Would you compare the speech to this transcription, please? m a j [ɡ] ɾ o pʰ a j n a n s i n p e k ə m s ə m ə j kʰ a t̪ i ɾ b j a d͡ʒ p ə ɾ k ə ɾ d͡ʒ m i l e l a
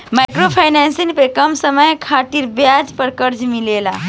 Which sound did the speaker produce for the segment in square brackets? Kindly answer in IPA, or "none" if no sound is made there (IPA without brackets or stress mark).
k